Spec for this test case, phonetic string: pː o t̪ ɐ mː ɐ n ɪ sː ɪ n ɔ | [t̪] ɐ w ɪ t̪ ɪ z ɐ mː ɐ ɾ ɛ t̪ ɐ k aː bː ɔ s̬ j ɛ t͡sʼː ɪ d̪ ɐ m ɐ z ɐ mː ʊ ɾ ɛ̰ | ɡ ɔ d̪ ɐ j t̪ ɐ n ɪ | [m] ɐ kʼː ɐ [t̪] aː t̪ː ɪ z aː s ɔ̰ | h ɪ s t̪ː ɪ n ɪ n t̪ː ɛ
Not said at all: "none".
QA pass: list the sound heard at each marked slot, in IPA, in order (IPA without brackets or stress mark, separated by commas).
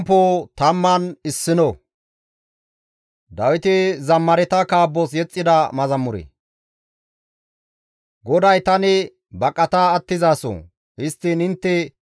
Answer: d̪, b, t̪